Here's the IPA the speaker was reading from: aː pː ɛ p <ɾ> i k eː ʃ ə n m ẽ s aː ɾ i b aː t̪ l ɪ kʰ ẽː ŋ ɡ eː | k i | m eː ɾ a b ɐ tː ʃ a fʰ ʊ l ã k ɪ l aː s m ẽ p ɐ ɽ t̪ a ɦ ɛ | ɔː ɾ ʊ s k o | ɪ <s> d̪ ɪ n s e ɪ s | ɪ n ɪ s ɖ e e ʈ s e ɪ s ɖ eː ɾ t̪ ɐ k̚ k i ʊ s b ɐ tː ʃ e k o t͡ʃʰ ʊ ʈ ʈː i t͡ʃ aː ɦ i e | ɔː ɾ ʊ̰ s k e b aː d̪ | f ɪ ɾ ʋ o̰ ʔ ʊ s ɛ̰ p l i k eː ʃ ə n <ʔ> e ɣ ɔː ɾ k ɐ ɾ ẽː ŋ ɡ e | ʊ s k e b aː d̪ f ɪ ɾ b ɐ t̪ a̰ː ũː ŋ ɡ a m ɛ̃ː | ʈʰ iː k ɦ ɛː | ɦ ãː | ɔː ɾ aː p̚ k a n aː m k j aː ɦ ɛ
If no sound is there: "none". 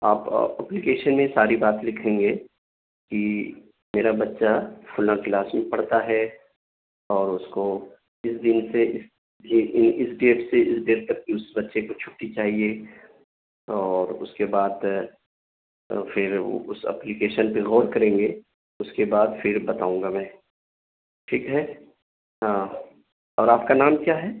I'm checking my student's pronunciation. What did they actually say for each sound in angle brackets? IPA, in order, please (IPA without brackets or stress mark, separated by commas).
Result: l, s, p